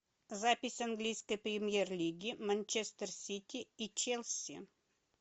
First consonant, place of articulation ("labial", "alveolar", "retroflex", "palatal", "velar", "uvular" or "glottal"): alveolar